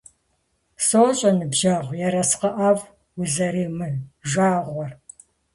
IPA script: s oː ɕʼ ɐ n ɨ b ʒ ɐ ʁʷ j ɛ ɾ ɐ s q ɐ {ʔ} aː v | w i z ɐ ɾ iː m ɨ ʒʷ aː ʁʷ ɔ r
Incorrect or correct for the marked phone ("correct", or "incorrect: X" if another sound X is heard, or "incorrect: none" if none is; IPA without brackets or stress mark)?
correct